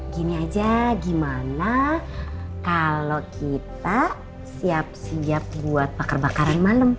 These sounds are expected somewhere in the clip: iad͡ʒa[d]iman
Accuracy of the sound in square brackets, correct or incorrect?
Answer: incorrect